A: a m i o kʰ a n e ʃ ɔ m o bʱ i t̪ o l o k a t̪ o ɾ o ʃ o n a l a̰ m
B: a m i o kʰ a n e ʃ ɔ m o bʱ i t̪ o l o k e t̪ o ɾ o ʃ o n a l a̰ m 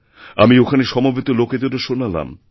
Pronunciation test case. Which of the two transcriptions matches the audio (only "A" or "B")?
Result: B